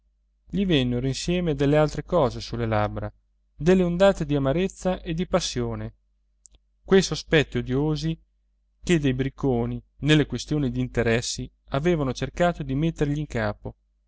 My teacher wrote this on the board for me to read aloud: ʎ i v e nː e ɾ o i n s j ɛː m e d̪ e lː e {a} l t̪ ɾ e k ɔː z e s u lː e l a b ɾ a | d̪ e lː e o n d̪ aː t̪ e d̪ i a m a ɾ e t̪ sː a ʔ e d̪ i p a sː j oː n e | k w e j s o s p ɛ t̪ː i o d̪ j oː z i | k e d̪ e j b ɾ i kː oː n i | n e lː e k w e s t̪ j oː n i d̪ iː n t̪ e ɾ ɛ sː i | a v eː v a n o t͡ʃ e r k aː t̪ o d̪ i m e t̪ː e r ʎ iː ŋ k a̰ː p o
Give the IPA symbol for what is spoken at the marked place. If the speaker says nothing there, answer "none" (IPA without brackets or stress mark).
a